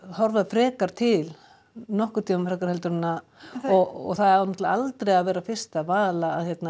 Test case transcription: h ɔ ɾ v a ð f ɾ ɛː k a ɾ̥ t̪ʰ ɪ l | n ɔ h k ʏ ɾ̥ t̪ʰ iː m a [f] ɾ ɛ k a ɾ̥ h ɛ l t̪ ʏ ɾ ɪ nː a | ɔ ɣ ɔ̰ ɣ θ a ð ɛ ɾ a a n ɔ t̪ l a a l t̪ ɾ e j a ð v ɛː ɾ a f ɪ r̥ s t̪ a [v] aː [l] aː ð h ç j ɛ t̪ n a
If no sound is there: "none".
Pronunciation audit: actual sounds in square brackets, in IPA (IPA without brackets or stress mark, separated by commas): f, v, l